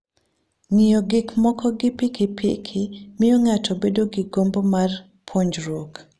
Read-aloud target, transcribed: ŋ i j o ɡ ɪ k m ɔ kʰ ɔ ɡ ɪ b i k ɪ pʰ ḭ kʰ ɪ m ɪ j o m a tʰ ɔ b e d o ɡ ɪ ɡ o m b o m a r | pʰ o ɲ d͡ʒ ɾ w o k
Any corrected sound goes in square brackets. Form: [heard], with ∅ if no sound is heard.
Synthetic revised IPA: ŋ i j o ɡ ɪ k m ɔ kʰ ɔ ɡ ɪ [p] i k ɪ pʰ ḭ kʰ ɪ m ɪ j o [ŋ] a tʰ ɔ b e d o ɡ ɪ ɡ o m b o m a r | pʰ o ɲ d͡ʒ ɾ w o k